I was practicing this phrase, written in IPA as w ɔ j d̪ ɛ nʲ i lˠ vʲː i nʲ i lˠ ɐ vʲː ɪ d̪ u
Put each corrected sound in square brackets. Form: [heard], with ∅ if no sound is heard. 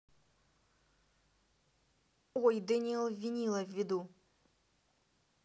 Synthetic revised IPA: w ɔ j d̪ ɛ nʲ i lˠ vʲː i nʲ i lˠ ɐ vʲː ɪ d̪ u